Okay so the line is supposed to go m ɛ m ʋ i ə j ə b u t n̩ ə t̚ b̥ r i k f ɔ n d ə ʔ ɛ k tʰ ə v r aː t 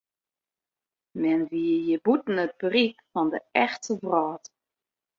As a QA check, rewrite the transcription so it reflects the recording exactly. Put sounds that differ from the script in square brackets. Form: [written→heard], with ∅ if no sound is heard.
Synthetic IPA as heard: m ɛ [m→n] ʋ i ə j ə b u t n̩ ə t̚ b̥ r i k f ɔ n d ə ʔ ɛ [k→x] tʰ ə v r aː t

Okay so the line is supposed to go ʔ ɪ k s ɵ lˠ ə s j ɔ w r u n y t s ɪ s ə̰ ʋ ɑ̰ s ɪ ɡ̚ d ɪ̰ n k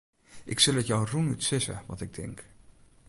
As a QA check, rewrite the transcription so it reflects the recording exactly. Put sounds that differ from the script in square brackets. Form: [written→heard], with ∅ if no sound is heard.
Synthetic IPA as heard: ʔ ɪ k s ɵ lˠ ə [s→t] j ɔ w r u n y t s ɪ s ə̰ ʋ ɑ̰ [s→t] ɪ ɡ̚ d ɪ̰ [n→ŋ] k

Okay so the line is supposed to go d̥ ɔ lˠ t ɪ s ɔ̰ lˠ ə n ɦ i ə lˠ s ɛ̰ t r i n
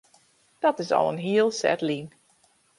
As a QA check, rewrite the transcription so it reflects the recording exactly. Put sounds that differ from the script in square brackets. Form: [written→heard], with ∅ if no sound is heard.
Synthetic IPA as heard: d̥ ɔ [lˠ→∅] t ɪ s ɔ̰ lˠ ə n ɦ i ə lˠ s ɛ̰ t [r→l] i n

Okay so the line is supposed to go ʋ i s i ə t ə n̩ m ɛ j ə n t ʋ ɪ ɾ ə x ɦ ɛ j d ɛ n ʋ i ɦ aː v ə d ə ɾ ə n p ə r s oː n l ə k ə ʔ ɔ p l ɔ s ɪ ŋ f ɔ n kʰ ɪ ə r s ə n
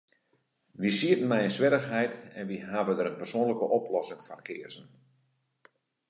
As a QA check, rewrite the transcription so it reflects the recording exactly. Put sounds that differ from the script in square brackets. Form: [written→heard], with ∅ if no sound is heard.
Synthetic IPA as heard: ʋ i s i ə t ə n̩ m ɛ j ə n [t→s] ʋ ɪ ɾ ə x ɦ ɛ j [d→t] ɛ n ʋ i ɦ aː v ə d ə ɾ ə n p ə r s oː n l ə k ə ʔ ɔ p l ɔ s ɪ ŋ f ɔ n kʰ ɪ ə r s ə n

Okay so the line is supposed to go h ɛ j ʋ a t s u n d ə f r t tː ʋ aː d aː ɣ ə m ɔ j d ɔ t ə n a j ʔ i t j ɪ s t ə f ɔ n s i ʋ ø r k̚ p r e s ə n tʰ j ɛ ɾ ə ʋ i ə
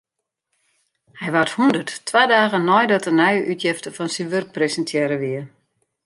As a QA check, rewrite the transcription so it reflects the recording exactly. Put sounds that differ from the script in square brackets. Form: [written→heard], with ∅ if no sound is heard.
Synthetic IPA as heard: h ɛ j ʋ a t [s→h] u n d ə [f→∅] r t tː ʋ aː d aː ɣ ə [m→n] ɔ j d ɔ t ə n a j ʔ [i→y] t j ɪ [s→f] t ə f ɔ n s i ʋ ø r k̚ p r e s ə n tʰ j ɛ ɾ ə ʋ i ə

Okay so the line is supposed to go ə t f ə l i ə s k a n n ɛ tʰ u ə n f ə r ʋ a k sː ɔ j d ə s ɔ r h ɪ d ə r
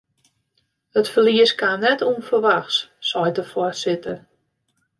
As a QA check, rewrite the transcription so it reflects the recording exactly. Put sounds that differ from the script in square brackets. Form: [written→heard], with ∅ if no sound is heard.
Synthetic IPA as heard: ə t f ə l i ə s k a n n ɛ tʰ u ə n f ə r ʋ a [k→x] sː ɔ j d ə [s→f] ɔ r [h→s] ɪ [d→t] ə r

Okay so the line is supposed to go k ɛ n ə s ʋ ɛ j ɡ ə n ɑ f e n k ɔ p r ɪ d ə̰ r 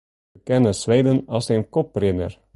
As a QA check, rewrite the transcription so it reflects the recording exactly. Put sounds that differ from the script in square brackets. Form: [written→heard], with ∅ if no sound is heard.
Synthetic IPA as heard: k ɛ n ə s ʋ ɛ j [ɡ→d] ə n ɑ [f→s] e n k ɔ p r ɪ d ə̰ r

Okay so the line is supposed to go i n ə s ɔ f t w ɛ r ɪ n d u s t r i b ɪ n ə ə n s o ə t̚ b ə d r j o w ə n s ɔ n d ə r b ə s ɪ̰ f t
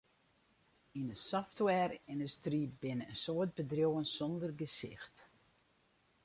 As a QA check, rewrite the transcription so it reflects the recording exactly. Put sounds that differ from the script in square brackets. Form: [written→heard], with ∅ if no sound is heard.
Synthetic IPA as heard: i n ə s ɔ f t w ɛ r ɪ n d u s t r i b ɪ n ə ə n s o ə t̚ b ə d r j o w ə n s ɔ n d ə r [b→ɡ] ə s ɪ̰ [f→x] t

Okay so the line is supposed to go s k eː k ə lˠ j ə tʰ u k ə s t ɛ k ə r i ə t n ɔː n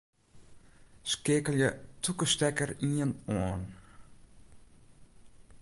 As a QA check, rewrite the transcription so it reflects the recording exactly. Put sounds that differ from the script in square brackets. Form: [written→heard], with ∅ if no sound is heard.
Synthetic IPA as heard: s k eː k ə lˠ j ə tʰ u k ə s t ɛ k ə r i ə [t→∅] n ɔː n

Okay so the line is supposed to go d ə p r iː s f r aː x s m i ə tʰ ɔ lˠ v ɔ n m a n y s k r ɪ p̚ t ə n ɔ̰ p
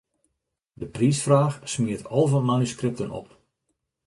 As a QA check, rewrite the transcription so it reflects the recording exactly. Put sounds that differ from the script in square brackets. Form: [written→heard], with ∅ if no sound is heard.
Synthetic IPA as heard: d ə p r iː s f r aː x s m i ə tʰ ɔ lˠ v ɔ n m a n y s k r ɪ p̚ t ə n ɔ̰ p

